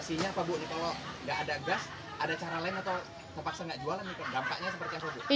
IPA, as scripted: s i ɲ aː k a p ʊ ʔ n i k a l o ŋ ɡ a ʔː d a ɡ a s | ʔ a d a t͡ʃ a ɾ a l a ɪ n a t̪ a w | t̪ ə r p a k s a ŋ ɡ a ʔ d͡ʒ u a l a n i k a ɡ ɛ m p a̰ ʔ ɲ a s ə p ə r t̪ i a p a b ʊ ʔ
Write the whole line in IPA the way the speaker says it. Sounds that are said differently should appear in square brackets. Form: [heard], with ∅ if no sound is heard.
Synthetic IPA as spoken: s i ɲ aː [p] a [b] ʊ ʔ n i k a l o ŋ ɡ a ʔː d a ɡ a s | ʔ a d a t͡ʃ a ɾ a l a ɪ n a t̪ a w | t̪ ə r p a k s a ŋ ɡ a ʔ d͡ʒ u a l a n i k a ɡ [a] m p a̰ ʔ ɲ a s ə p ə r t̪ i a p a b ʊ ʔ